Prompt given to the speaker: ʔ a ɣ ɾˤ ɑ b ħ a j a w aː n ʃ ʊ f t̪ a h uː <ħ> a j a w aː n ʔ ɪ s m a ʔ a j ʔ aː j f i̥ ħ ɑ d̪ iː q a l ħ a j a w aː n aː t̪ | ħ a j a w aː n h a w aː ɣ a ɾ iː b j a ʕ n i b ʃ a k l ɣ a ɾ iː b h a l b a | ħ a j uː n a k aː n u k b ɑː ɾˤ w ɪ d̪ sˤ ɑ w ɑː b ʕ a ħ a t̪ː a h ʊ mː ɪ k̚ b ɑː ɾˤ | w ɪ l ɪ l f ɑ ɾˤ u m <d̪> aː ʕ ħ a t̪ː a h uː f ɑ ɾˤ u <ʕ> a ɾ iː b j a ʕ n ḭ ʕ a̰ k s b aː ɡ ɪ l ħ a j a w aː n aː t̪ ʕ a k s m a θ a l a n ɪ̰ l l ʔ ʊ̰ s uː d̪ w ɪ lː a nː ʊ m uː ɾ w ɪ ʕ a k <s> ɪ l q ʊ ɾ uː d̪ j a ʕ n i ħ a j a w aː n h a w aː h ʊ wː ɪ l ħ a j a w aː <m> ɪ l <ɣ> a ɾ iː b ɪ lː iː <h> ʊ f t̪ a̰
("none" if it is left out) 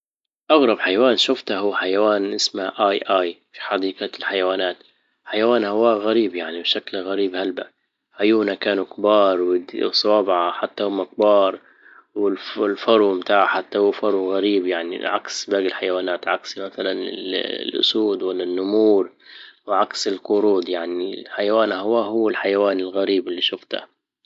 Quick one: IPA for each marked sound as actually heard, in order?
ħ, t̪, ɣ, s, n, ɣ, ʃ

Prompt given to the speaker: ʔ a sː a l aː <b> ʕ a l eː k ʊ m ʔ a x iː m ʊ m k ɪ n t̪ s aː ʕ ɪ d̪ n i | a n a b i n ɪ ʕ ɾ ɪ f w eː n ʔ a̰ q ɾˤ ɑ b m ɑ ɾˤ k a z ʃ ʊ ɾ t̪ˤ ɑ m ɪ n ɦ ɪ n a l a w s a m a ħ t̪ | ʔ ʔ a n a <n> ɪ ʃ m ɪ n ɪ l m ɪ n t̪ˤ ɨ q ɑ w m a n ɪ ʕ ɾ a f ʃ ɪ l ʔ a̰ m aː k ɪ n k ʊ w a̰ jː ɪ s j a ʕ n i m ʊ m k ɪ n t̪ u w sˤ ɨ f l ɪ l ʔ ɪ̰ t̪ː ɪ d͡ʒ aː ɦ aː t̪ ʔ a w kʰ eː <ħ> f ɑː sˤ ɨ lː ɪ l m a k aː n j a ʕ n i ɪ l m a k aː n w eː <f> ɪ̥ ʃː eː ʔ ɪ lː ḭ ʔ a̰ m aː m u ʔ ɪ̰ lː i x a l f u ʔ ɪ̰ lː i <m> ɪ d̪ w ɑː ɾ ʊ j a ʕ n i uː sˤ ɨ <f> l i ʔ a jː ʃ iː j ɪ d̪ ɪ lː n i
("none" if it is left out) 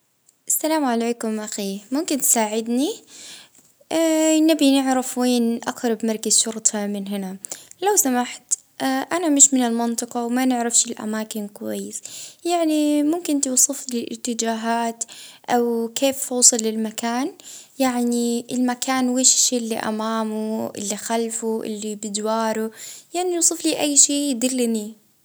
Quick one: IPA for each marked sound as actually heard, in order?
m, m, f, ʃ, b, f

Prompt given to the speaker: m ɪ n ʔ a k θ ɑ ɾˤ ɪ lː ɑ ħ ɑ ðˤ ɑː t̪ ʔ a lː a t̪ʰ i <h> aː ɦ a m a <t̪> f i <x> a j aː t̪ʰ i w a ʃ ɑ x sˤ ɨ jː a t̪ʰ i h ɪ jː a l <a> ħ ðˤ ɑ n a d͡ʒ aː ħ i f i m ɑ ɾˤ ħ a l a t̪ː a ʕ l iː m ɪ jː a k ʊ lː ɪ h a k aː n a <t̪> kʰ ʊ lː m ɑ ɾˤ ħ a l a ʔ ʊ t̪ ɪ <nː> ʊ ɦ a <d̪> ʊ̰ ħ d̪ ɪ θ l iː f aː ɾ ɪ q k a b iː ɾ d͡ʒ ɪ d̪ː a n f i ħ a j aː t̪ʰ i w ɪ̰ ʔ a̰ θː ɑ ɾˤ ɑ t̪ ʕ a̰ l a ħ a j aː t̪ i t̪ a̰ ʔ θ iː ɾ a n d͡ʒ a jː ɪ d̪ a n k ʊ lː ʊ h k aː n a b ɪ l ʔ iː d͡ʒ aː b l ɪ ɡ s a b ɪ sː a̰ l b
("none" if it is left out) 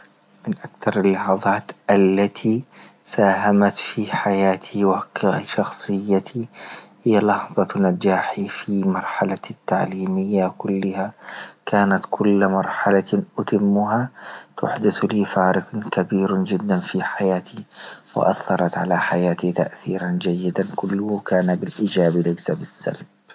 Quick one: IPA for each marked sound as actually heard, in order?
s, t̪, ħ, ɑ, t̪, mː, t̪

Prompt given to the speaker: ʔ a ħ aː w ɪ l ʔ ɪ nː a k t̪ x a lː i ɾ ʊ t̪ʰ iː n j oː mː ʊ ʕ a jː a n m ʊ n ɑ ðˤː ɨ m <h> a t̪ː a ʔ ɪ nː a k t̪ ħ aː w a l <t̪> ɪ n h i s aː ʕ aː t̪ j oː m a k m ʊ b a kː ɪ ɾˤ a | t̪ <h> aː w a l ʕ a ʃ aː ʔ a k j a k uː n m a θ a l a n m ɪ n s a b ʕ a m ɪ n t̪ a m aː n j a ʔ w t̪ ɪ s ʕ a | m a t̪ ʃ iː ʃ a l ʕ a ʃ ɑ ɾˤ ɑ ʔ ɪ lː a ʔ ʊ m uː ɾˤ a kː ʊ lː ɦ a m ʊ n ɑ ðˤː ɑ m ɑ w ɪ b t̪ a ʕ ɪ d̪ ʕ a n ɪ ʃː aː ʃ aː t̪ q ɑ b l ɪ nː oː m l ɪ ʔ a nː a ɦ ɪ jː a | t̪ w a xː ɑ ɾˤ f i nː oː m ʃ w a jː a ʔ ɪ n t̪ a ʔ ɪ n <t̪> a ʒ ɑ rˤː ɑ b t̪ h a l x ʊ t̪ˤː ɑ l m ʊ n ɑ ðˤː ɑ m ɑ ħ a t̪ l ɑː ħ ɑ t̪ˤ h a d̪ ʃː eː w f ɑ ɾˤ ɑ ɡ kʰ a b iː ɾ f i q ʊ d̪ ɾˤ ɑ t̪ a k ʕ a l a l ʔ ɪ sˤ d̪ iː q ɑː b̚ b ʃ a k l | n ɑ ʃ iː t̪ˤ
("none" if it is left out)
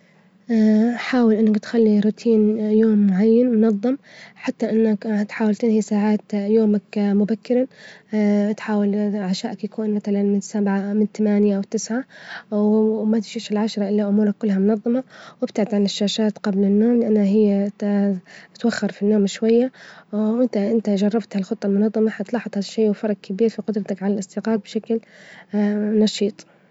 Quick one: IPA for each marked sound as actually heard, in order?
ħ, t̪, ħ, t̪

